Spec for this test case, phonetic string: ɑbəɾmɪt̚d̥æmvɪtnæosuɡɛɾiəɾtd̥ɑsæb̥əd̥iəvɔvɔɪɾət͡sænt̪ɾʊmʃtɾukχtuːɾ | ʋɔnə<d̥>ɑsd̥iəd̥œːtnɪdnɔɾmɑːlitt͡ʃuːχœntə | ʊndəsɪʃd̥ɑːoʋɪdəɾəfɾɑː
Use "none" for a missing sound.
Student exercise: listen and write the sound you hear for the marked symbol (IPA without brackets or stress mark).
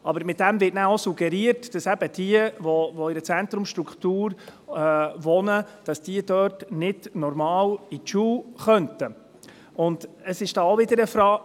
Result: d̥